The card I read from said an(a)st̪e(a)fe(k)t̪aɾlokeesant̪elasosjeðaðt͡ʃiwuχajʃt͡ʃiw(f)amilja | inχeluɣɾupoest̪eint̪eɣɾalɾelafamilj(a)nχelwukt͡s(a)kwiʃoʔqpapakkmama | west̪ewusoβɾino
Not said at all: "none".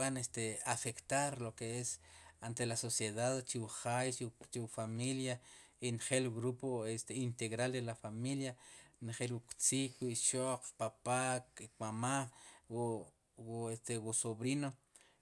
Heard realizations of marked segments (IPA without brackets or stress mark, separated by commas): e, a, k, f, a, i